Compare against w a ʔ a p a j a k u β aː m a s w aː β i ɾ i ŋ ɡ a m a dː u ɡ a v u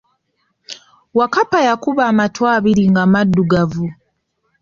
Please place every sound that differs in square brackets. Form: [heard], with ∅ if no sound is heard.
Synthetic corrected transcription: w a [k] a p a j a k u β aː m a [t] w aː β i ɾ i ŋ ɡ a m a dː u ɡ a v u